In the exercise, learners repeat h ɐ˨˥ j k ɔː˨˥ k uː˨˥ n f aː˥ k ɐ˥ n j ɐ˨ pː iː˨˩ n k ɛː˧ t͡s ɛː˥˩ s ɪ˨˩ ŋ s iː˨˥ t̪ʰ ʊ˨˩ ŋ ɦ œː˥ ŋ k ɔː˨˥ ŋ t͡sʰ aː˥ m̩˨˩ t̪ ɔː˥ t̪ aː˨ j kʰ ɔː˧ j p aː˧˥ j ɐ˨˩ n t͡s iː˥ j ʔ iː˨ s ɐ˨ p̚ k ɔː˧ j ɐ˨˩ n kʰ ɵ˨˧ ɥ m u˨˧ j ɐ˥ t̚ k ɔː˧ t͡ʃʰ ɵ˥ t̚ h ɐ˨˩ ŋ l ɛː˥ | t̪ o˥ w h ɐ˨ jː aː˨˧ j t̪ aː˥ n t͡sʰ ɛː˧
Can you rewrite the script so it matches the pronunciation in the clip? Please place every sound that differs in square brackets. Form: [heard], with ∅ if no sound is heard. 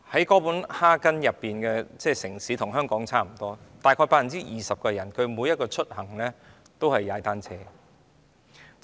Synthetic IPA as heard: h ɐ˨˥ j k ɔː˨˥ [p] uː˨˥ n [h] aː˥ k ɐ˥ n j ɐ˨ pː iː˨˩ n k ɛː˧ t͡s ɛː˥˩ s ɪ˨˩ ŋ s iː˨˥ t̪ʰ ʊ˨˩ ŋ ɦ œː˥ ŋ k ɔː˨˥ ŋ t͡sʰ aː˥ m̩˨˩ t̪ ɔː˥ t̪ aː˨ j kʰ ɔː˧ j p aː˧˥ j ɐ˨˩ n t͡s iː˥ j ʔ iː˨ s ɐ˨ p̚ k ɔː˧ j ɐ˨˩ n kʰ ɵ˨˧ ɥ m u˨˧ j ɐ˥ t̚ k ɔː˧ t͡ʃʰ ɵ˥ t̚ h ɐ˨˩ ŋ l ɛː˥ | t̪ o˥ w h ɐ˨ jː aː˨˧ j t̪ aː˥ n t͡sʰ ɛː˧